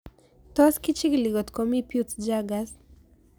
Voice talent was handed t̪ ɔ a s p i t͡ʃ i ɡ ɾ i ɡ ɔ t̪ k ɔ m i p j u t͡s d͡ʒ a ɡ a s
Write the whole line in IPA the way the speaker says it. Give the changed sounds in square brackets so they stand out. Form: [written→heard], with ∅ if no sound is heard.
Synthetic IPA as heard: t̪ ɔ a s [p→k] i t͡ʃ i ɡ [ɾ→l] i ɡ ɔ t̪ k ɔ m i p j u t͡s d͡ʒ a ɡ a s